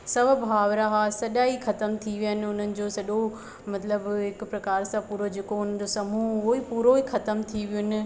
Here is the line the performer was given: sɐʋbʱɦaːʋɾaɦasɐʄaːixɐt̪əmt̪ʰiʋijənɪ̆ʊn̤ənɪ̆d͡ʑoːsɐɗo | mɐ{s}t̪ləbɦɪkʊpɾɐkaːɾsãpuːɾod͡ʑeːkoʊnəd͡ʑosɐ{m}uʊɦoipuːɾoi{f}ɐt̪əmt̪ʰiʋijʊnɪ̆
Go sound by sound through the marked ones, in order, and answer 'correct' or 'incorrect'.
incorrect, correct, incorrect

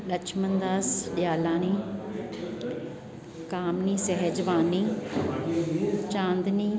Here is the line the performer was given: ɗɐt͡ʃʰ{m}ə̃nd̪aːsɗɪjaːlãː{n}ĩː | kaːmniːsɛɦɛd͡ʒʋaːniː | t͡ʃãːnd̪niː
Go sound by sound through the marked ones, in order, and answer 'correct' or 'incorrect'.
correct, correct

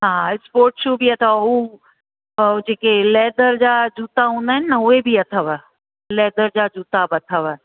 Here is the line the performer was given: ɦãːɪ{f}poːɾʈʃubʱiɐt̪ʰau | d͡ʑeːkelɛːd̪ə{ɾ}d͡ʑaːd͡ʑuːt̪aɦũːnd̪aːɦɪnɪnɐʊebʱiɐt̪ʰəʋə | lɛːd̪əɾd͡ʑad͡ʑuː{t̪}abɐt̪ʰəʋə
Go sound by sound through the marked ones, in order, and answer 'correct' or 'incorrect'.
incorrect, correct, correct

